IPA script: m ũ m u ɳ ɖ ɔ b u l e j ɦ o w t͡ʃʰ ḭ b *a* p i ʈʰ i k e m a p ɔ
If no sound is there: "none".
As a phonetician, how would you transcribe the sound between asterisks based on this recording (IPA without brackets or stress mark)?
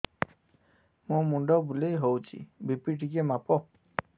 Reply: i